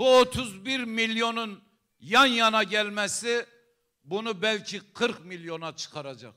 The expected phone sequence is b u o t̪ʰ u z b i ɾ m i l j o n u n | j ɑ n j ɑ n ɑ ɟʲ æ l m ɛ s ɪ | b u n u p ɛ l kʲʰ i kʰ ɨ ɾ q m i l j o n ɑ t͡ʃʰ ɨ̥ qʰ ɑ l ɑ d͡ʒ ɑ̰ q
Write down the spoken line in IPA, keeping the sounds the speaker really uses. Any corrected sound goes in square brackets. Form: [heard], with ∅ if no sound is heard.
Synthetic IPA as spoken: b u o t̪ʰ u z b i ɾ m i l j o n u n | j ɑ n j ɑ n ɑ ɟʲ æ l m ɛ s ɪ | b u n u [b] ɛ l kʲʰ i [qʰ] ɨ ɾ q m i l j o n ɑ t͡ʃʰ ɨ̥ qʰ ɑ [ɾ] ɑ d͡ʒ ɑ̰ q